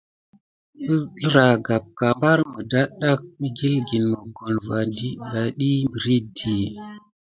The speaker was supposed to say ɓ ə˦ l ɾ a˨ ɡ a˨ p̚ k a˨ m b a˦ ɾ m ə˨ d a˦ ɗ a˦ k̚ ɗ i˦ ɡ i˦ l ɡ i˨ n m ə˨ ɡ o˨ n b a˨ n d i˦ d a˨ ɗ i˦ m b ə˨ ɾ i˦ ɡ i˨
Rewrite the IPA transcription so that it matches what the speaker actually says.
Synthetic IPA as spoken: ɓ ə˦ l ɾ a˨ ɡ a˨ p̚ k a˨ m b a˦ ɾ m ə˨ d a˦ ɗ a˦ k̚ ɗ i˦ ɡ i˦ l ɡ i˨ n m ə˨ ɡ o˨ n v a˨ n d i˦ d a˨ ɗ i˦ m b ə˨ ɾ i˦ d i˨